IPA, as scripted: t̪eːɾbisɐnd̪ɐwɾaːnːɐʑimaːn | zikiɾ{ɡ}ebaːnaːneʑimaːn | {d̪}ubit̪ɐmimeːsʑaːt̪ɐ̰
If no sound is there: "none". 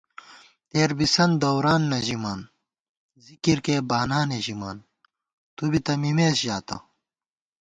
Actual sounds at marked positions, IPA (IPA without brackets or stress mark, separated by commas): k, t̪